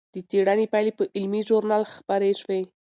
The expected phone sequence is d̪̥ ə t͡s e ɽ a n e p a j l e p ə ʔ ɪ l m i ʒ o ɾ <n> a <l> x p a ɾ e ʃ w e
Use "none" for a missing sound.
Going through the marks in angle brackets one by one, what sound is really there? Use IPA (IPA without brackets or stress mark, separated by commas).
n, l